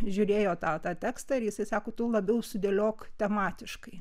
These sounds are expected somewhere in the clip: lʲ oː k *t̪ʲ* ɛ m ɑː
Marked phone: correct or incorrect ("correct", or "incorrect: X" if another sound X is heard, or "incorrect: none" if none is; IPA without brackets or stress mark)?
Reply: correct